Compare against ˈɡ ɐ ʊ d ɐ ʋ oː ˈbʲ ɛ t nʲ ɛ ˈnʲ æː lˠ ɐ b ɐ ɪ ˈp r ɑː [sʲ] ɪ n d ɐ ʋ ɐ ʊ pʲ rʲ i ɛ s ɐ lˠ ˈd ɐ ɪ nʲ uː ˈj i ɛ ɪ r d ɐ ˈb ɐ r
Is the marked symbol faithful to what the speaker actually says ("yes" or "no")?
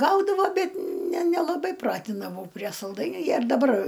no